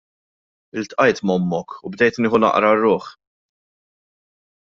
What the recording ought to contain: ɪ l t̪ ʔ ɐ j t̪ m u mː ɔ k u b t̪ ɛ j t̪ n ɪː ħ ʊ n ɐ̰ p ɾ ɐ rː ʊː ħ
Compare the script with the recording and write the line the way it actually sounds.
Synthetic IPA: ɪ l t̪ ʔ ɐ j t̪ m ɔ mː ɔ k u b d̪ ɛ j t̪ n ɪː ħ ʊ n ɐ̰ ʔ ɾ ɐ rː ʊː ħ

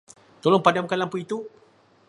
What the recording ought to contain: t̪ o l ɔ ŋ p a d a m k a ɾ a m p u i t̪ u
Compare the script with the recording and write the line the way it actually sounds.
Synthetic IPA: t̪ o l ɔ ŋ p a d a m k a l a m p u i t̪ u

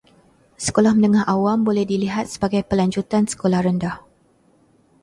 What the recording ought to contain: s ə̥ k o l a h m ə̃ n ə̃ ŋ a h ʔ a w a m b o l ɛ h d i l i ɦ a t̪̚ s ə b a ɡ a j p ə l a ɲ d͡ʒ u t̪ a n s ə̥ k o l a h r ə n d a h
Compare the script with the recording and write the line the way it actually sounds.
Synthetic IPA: s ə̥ k o l a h m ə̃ n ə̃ ŋ a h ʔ a w a m b o l ɛ h d i l i ɦ a t̪̚ s ə b a ɡ a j p ə l a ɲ d͡ʒ u t̪ a n s ə̥ k o l a h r ə n d a h

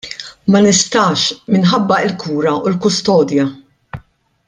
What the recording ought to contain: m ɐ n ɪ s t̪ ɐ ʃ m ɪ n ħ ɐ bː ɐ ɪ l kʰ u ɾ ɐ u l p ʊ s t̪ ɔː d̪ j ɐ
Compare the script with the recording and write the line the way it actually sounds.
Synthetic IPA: m ɐ n ɪ s t̪ ɐ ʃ m ɪ n ħ ɐ bː ɐ ɪ l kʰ uː ɾ ɐ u l k ʊ s t̪ ɔː d̪ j ɐ

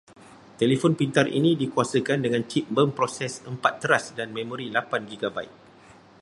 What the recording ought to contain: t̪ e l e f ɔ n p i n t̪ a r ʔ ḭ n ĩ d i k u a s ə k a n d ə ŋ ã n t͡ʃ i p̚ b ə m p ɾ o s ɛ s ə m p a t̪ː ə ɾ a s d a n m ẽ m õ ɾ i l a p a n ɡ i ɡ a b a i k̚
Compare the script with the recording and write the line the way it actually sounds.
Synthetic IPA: t̪ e l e f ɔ n p i n t̪ a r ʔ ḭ n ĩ d i k u a s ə k a n d ə ŋ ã n t͡ʃ i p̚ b ə m p ɾ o s ɛ s ə m p a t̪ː ə ɾ a s d a n m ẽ m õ ɾ i l a p a n ɡ i ɡ a b a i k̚

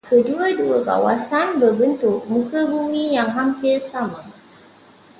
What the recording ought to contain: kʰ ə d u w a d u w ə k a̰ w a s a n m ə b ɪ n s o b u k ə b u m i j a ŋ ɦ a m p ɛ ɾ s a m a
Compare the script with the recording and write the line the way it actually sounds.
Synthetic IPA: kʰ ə d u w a d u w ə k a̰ w a s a n b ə b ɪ n t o m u k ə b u m i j a ŋ ɦ a m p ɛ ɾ s a m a

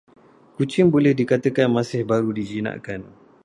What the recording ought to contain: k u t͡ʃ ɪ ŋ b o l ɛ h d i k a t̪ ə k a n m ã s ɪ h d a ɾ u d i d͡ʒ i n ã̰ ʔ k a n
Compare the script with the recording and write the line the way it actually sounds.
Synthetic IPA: k u t͡ʃ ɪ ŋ b o l ɛ h d i k a t̪ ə k a n m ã s ɪ h b a ɾ u d i d͡ʒ i n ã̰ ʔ k a n

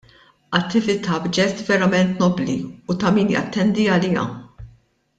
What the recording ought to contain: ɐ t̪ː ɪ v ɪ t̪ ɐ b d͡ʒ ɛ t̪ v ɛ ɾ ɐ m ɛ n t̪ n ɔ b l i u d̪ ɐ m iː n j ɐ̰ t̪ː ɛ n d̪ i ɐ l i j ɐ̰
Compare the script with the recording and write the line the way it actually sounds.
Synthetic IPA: ɐ t̪ː ɪ v ɪ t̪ ɐ b d͡ʒ ɛ t̪ v ɛ ɾ ɐ m ɛ n t̪ n ɔ b l i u t̪ ɐ m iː n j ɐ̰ t̪ː ɛ n d̪ i ɐ l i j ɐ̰

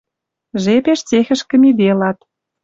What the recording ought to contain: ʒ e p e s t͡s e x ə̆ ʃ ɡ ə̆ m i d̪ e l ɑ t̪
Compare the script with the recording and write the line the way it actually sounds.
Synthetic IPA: ʒ e p e ʃ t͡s e x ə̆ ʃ k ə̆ m i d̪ e l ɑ t̪

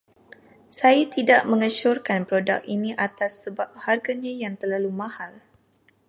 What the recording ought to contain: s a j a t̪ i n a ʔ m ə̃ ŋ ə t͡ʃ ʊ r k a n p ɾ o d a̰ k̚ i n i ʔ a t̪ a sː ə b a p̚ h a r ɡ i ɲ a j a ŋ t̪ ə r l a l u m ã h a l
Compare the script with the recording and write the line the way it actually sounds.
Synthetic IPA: s a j a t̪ i d a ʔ m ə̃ ŋ ə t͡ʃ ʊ r k a n p ɾ o d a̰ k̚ i n i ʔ a t̪ a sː ə b a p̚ h a r ɡ a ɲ a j a ŋ t̪ ə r l a l u m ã h a l

